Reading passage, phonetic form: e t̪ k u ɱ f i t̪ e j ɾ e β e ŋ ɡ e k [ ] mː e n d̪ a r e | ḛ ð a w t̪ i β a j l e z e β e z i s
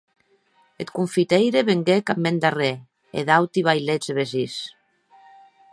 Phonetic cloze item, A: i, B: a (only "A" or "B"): B